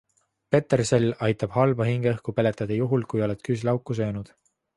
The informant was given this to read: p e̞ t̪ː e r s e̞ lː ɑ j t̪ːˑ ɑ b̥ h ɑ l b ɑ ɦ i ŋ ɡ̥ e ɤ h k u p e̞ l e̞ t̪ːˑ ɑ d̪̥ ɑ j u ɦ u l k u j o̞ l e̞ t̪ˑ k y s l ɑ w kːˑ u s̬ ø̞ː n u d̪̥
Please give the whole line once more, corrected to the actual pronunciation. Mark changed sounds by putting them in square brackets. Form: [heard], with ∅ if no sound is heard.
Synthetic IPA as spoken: p e̞ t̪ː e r s e̞ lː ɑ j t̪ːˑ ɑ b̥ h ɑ l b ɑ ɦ i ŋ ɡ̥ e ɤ h k u p e̞ l e̞ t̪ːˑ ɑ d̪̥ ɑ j u ɦ u l k u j o̞ l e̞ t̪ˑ k y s l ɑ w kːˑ u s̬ ø̞ː n u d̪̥

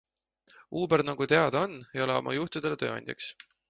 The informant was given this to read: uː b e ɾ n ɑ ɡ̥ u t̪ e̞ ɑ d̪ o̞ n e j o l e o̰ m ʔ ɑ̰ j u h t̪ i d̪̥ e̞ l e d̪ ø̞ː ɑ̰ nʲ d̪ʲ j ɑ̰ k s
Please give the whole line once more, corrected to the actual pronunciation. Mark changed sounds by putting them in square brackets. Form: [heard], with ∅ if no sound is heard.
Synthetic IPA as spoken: uː b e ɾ n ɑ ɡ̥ u t̪ e̞ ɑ d̪ o̞ n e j o l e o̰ m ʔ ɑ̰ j u h t̪ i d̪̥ e̞ l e [t̪] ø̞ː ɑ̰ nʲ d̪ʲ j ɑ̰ k s

